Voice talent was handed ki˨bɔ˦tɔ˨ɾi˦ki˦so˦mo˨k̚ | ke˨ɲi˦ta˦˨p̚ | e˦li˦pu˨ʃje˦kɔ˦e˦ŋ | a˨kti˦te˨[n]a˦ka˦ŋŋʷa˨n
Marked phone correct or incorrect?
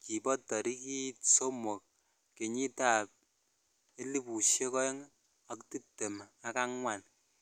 incorrect